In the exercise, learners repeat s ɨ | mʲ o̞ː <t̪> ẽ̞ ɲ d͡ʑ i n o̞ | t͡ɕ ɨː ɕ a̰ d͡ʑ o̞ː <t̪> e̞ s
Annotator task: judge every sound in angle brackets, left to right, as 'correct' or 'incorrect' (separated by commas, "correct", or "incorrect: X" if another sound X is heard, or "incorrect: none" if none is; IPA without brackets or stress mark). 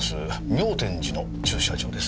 correct, incorrect: d̪